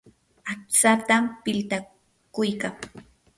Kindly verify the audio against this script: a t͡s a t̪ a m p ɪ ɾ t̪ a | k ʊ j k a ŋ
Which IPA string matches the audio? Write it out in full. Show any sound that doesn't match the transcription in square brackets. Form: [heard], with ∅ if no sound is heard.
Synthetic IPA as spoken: a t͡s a t̪ a m p ɪ [l] t̪ a | k ʊ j k a ŋ